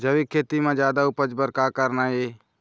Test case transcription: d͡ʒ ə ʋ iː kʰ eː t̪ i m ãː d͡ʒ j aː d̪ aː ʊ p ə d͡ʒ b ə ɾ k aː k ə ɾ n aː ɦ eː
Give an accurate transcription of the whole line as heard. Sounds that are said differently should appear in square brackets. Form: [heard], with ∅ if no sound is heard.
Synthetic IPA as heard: d͡ʒ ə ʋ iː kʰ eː t̪ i m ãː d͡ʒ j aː d̪ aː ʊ p ə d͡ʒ b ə ɾ k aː k ə ɾ n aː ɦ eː